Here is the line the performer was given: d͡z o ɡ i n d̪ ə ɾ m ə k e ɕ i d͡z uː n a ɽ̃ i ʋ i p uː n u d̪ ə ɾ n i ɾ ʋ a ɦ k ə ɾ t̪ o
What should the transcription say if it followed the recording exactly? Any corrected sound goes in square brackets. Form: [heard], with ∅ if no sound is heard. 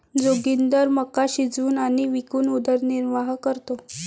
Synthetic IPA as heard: d͡z o ɡ i n d̪ ə ɾ m ə k [a] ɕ i d͡z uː n a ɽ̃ i ʋ i [k] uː n u d̪ ə ɾ n i ɾ ʋ a ɦ k ə ɾ t̪ o